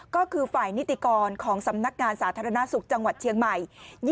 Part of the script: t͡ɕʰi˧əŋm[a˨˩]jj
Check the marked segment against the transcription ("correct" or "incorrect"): correct